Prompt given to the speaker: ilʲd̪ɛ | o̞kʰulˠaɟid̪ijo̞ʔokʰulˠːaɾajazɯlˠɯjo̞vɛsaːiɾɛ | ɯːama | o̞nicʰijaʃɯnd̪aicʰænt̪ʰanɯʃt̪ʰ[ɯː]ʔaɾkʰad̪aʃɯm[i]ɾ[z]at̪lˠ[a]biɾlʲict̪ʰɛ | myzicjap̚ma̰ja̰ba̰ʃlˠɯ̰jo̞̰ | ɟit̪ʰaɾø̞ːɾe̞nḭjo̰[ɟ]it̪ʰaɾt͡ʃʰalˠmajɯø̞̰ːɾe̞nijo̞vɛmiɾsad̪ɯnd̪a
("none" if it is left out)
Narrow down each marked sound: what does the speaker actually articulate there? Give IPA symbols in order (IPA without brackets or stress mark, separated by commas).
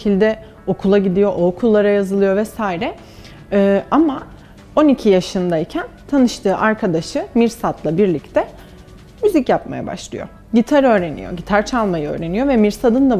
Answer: ɯː, i, s, a, ɟ